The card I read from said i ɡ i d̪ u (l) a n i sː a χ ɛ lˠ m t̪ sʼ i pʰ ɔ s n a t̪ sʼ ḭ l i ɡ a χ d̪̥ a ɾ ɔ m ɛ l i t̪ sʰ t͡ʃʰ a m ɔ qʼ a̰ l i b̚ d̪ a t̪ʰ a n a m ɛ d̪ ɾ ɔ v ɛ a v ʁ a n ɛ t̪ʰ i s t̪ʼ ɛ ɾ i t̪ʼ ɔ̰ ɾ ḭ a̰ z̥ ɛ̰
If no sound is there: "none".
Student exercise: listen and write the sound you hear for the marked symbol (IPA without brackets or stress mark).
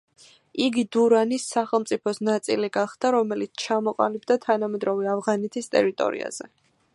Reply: ɾ